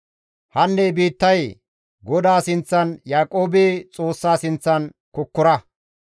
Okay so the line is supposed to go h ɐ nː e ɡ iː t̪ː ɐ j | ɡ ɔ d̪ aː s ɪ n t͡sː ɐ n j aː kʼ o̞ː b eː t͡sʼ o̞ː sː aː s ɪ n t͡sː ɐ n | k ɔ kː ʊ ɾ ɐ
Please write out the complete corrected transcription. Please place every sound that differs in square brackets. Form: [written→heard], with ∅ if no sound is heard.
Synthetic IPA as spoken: h ɐ nː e [ɡ→b] iː t̪ː ɐ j | ɡ ɔ d̪ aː s ɪ n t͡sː ɐ n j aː kʼ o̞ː b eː t͡sʼ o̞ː sː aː s ɪ n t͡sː ɐ n | k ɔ kː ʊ ɾ ɐ